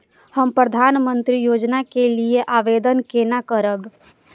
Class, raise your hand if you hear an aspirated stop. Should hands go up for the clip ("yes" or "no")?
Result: no